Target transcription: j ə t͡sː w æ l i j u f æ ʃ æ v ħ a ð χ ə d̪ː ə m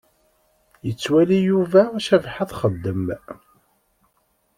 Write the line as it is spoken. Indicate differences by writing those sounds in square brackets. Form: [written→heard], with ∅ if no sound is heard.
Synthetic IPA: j ə t͡sː w æ l i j u [f→v] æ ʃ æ v ħ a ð χ ə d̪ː ə m